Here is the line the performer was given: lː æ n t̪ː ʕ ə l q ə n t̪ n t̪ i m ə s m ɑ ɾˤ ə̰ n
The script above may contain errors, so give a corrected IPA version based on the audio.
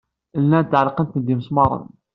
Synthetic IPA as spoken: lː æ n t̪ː ʕ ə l q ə n t̪ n d̪ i m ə s m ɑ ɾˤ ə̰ n